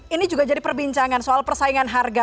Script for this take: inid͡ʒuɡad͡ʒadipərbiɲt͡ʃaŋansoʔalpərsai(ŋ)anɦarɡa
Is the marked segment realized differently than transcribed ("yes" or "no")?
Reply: no